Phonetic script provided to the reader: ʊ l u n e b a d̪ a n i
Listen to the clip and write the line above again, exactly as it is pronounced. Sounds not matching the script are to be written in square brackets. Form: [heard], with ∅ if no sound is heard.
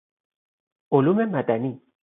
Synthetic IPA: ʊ l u [m] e [m] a d̪ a n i